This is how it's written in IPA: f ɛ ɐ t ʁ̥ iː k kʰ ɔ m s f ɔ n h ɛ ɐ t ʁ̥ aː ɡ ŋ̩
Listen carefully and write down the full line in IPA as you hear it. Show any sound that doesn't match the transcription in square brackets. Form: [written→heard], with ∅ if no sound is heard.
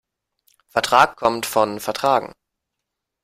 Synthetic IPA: f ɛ ɐ t ʁ̥ [iː→aː] k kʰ ɔ m [s→t] f ɔ n [h→f] ɛ ɐ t ʁ̥ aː ɡ ŋ̩